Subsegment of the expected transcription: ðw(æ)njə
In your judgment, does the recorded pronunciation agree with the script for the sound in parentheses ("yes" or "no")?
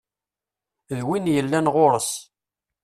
no